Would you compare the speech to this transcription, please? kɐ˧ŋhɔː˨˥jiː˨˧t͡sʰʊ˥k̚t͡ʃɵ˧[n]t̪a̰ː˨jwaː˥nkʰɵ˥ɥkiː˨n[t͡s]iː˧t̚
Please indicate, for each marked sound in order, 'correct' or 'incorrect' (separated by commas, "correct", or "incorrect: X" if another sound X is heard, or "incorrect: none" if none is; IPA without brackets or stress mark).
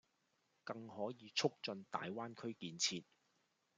correct, incorrect: t͡sʰ